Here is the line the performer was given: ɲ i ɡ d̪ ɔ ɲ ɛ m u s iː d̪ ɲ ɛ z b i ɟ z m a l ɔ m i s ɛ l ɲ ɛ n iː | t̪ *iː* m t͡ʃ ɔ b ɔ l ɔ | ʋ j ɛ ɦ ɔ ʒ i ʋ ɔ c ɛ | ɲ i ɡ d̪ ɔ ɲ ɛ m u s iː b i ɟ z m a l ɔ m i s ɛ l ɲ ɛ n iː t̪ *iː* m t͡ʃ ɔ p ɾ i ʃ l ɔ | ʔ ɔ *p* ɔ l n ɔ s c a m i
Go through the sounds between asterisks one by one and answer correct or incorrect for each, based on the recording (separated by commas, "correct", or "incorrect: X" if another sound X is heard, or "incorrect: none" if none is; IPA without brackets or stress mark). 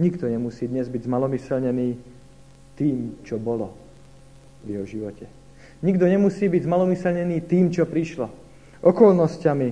correct, correct, incorrect: k